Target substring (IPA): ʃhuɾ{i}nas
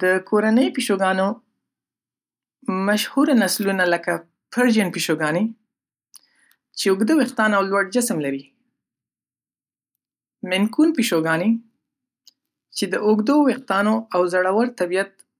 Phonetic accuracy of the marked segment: incorrect: a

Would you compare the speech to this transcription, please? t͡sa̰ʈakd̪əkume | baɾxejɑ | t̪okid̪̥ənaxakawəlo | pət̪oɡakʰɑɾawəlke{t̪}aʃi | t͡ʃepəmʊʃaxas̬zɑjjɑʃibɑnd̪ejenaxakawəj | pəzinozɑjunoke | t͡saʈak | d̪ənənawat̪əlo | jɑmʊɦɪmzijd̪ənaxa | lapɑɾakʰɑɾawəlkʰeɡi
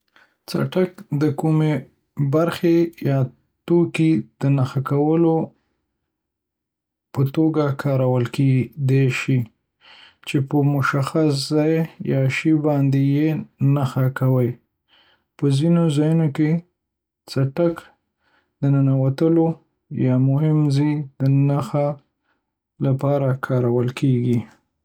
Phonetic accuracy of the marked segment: incorrect: d̪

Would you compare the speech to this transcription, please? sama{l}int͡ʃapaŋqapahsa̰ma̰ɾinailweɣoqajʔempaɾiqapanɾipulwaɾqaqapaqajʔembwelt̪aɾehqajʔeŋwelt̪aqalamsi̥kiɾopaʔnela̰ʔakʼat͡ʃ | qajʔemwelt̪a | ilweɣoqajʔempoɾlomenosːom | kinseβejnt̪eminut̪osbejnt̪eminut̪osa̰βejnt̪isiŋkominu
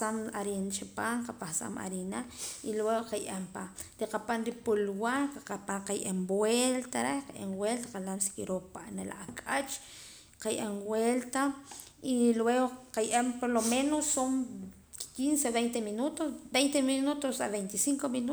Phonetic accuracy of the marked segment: incorrect: ɾ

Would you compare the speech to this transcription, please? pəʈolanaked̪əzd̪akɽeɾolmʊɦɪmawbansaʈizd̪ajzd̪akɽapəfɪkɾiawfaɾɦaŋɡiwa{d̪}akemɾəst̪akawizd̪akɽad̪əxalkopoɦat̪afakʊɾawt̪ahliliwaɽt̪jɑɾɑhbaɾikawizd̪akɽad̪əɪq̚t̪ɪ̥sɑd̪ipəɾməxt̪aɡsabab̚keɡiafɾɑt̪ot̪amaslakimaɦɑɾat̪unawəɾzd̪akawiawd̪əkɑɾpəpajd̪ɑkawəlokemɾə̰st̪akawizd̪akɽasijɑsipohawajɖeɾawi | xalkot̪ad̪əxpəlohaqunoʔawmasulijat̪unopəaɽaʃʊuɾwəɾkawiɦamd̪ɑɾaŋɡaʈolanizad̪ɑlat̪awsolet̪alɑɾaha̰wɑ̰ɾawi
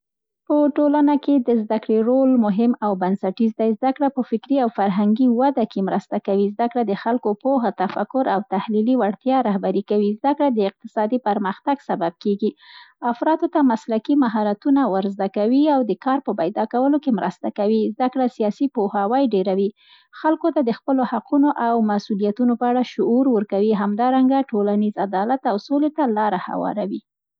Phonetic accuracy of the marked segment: correct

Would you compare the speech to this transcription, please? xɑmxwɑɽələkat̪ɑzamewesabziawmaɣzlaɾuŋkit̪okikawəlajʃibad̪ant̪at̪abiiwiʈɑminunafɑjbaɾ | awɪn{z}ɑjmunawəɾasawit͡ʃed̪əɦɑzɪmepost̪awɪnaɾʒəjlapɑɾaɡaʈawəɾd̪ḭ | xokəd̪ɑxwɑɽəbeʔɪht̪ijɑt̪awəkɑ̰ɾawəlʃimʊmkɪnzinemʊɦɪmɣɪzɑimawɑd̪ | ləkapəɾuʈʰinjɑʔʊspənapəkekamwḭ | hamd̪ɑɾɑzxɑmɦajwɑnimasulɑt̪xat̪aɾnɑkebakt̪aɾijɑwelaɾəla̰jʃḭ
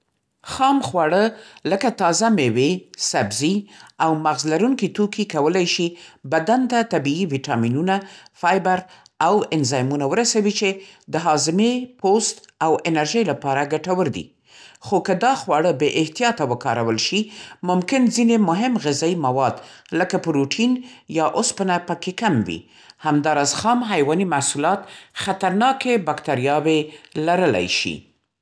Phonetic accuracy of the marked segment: correct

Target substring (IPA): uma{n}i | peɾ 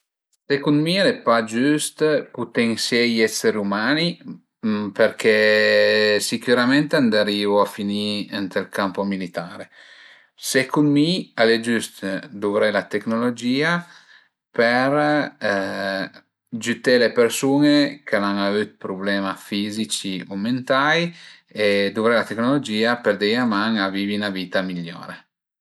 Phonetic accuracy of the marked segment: correct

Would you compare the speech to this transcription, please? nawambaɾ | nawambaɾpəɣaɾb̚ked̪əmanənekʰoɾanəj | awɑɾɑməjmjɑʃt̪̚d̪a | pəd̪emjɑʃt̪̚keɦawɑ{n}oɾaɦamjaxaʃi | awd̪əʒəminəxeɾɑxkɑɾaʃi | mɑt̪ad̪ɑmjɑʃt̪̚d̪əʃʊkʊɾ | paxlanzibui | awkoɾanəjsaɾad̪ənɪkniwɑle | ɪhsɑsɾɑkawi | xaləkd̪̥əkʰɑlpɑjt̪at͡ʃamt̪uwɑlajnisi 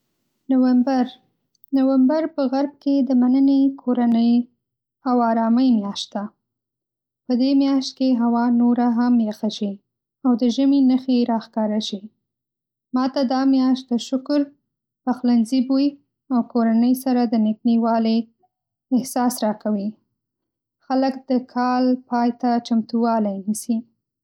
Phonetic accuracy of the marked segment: correct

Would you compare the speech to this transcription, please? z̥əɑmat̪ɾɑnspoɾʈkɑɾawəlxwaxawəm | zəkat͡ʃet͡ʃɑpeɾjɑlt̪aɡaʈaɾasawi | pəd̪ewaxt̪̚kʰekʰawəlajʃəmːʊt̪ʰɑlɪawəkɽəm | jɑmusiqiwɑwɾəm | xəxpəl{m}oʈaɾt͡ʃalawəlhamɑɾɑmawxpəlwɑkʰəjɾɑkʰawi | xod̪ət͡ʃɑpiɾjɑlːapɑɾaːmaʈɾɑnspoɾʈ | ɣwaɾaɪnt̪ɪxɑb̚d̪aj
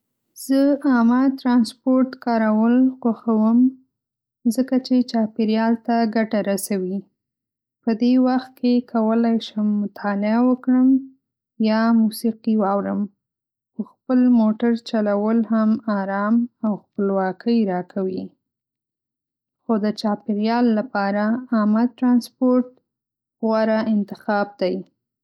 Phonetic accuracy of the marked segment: correct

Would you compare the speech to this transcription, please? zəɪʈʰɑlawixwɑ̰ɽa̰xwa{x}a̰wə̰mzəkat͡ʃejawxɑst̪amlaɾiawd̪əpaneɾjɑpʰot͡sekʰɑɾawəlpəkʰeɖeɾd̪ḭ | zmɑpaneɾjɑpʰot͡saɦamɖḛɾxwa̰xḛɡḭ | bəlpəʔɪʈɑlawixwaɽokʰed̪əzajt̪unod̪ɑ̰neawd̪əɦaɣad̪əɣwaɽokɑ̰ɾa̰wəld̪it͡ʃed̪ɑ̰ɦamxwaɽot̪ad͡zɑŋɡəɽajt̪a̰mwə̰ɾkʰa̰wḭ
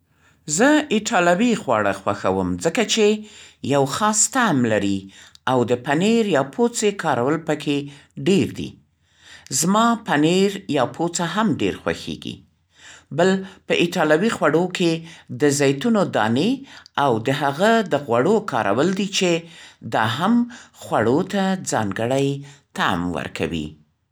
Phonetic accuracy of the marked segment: correct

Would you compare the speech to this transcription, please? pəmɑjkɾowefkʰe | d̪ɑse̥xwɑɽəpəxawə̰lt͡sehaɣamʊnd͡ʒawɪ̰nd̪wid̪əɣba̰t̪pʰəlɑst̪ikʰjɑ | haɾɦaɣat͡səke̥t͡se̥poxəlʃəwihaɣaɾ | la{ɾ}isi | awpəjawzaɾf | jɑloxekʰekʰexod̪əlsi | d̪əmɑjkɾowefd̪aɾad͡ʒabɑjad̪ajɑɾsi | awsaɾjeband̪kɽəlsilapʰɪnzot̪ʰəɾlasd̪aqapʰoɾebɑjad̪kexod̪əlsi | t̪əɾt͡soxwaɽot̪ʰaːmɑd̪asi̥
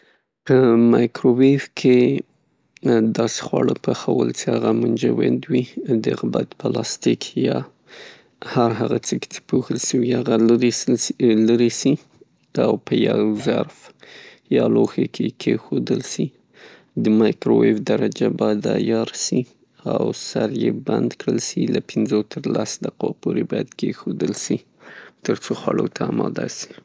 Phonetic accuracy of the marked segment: correct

